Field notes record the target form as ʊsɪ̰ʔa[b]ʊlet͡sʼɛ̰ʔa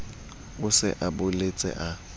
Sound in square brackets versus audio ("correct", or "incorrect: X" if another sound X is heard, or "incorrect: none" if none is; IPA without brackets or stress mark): correct